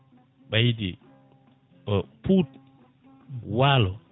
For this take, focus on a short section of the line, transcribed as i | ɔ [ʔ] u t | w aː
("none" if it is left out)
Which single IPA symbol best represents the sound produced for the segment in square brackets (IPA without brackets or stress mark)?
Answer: p